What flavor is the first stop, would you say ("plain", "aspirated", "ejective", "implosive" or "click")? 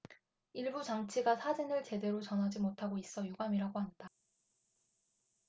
plain